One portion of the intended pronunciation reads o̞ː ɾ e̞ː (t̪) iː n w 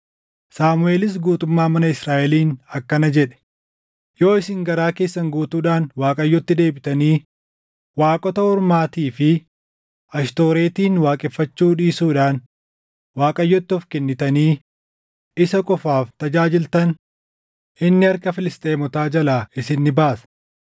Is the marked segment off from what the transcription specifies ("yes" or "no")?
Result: no